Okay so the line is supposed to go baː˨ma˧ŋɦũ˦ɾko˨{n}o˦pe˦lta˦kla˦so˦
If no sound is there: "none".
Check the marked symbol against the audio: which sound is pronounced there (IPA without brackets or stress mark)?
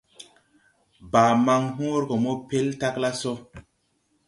m